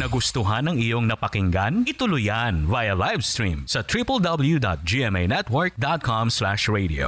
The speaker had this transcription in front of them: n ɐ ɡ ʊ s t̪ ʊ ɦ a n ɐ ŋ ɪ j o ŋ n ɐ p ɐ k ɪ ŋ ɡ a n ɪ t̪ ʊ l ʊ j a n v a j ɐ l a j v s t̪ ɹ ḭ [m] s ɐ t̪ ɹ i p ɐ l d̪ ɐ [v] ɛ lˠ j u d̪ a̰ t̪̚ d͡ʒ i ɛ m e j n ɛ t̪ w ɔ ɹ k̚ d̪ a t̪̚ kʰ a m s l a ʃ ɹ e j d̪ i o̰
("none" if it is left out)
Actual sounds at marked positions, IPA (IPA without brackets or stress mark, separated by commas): m, b